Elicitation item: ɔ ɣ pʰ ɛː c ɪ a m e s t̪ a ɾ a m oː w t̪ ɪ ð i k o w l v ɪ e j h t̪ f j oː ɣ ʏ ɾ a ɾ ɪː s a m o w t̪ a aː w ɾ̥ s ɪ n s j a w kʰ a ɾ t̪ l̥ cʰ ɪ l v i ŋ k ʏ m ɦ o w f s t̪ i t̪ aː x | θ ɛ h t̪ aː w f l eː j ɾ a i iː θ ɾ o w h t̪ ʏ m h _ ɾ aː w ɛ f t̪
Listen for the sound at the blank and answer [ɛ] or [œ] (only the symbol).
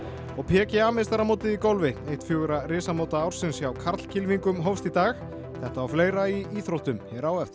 ɛ